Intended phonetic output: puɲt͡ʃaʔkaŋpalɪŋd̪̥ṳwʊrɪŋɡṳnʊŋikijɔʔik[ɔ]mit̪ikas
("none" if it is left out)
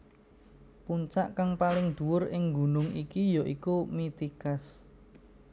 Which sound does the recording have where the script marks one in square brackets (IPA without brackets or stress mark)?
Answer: u